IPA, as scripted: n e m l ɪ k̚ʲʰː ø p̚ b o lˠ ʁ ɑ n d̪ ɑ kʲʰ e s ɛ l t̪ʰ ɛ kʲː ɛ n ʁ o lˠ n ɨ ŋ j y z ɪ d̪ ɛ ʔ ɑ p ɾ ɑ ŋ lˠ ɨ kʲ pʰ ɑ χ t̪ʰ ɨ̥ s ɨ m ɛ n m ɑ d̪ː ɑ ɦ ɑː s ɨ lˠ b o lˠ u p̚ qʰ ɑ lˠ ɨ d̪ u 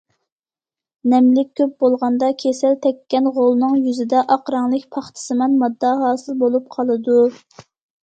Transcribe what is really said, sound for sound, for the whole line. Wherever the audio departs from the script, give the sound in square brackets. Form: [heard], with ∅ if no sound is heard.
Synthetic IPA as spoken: n [ɛ] m l ɪ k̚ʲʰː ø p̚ b o lˠ ʁ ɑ n d̪ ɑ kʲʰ e s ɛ l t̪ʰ ɛ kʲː ɛ n ʁ o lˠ n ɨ ŋ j y z ɪ d̪ ɛ ʔ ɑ [q] ɾ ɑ ŋ lˠ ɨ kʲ pʰ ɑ χ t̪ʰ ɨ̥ s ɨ m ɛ n m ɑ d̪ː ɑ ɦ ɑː s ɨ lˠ b o lˠ u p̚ qʰ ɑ lˠ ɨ d̪ u